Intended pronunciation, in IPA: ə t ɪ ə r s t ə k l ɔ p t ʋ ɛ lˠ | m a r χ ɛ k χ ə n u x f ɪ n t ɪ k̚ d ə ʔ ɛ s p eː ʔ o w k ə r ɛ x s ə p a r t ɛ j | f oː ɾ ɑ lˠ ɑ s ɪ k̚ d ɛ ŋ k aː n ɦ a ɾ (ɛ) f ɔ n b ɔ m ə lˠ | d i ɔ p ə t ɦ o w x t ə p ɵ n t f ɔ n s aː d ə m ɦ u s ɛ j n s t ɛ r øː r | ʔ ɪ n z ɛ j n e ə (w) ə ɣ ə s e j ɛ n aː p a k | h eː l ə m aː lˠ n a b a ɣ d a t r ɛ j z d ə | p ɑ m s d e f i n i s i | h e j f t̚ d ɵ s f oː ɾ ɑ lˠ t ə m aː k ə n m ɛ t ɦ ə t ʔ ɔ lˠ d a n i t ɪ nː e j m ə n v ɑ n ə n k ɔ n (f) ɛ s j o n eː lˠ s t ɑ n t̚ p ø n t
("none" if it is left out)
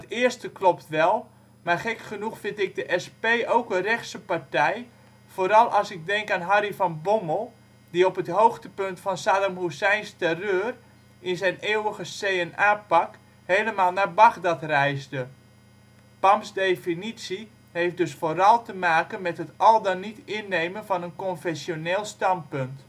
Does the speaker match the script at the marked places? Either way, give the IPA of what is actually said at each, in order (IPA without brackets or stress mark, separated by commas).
i, w, f